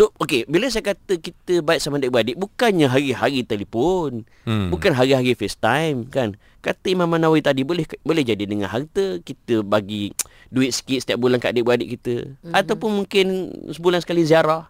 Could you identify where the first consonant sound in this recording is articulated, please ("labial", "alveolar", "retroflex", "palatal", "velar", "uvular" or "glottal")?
alveolar